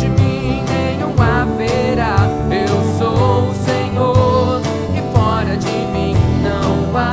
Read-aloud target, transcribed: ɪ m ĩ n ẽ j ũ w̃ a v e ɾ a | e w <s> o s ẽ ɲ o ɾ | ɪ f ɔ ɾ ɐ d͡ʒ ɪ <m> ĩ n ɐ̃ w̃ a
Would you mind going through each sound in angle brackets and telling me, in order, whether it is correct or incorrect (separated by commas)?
correct, correct